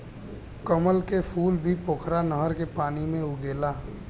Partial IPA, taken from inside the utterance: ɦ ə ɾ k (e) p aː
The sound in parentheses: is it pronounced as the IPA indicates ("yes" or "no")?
yes